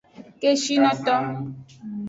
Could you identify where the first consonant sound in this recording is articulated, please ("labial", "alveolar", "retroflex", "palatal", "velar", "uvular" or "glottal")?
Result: velar